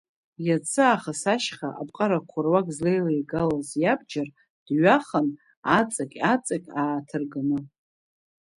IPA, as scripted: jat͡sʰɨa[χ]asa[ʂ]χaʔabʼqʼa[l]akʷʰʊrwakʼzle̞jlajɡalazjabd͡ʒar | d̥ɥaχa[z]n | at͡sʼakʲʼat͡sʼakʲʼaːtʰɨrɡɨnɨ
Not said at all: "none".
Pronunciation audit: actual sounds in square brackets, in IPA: χ, ʃ, ɾ, none

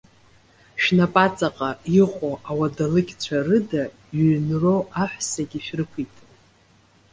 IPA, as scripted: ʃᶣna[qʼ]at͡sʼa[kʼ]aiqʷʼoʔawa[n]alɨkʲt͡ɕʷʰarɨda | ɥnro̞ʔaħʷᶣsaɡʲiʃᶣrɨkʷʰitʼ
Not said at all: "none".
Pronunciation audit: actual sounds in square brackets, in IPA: pʼ, qʼ, d

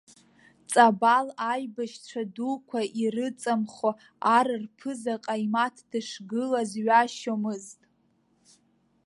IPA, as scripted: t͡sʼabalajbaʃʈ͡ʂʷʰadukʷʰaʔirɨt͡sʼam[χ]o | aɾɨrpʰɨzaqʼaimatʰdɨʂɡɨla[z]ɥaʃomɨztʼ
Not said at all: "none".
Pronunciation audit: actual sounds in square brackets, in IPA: χ, z

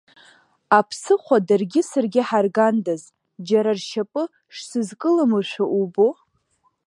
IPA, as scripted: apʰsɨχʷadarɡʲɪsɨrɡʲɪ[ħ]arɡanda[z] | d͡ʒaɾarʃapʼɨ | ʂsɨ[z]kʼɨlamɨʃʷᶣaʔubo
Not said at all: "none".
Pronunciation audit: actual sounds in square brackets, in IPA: ħ, z, z

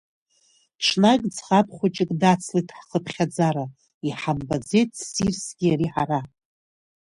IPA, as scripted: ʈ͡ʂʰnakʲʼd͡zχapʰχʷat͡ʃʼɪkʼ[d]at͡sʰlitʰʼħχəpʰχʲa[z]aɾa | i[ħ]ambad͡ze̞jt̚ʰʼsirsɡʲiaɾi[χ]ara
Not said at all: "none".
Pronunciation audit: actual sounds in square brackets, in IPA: d, d͡z, ħ, ħ

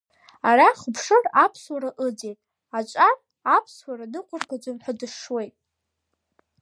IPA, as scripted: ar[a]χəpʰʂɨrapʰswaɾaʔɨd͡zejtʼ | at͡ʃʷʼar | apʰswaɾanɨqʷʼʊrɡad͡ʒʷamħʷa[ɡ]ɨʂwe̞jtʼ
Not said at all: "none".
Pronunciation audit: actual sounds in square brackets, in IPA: a, d

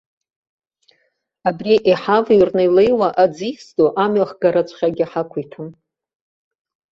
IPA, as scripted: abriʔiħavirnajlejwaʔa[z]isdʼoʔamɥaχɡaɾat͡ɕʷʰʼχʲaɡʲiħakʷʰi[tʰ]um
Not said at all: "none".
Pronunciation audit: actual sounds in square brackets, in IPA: d͡z, tʰ

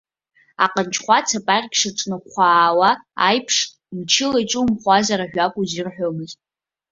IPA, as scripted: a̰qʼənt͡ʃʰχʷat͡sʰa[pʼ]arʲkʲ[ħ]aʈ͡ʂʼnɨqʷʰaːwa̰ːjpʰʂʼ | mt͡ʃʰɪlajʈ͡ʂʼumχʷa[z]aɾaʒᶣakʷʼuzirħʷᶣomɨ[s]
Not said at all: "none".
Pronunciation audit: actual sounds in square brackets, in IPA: pʼ, ʂ, z, z

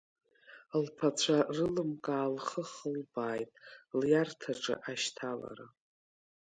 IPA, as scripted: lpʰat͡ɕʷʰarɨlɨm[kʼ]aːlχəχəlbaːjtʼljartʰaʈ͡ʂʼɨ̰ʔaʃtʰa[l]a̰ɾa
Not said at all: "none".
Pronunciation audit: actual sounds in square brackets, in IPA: kʼ, l

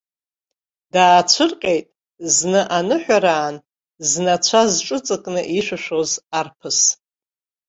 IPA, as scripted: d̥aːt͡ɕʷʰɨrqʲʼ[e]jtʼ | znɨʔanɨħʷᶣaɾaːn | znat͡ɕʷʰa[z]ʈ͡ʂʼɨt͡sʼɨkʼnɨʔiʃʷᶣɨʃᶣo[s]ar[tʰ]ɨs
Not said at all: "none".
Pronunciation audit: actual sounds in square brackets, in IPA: e, z, z, pʰ

